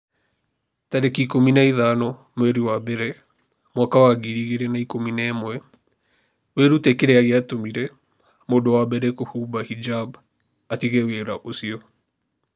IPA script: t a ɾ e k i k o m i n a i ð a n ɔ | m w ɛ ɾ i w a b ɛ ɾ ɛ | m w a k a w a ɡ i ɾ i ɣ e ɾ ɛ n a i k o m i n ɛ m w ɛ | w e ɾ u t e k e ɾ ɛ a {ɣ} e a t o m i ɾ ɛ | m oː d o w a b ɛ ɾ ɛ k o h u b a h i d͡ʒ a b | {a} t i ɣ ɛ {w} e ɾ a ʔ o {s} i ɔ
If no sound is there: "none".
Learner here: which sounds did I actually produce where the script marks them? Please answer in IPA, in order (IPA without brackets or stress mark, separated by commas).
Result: ɣ, a, w, s